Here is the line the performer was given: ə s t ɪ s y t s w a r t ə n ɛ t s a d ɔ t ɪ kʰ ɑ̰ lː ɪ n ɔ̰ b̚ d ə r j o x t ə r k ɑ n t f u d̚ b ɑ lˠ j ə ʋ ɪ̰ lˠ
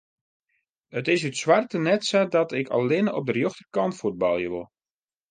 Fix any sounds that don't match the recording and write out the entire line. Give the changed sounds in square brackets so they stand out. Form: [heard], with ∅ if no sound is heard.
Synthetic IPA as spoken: ə [∅] t ɪ s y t s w a r t ə n ɛ t s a d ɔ t ɪ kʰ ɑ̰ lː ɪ n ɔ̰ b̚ d ə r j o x t ə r k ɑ n t f u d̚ b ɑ lˠ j ə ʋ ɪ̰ lˠ